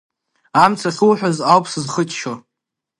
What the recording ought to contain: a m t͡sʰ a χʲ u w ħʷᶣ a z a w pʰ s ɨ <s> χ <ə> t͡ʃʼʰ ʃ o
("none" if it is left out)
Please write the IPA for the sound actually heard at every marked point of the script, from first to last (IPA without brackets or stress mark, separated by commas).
z, ə